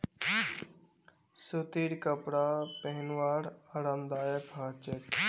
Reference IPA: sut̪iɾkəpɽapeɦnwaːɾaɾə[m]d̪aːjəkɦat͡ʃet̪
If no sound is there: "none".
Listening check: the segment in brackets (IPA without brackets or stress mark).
m